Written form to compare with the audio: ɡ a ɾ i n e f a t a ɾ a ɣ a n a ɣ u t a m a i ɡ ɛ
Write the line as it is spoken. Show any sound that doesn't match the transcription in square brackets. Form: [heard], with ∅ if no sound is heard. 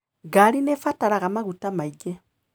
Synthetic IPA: ɡ a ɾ i n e f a t a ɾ a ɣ a [m] a ɣ u t a m a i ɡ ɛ